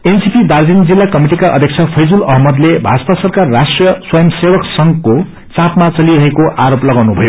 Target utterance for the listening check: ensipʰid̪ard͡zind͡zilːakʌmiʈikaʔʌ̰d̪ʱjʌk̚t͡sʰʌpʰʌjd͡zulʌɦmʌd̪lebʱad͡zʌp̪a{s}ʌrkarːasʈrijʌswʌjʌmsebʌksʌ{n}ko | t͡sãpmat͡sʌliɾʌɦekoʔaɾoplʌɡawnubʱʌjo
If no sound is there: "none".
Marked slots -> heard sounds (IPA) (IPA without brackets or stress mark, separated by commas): s, ŋ